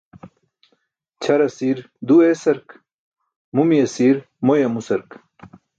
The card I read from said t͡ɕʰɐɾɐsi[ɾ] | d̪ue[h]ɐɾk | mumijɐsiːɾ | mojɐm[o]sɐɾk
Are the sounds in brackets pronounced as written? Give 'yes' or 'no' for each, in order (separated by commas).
yes, no, no